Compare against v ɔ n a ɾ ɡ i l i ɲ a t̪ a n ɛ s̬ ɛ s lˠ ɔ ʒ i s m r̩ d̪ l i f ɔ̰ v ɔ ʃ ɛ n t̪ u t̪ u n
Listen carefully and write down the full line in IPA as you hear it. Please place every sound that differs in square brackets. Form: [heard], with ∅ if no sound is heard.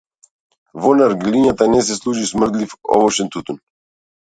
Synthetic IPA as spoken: v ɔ n a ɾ ɡ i l i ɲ a t̪ a n ɛ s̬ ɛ s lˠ [u] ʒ i s m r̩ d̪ l i f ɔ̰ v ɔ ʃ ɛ n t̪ u t̪ u n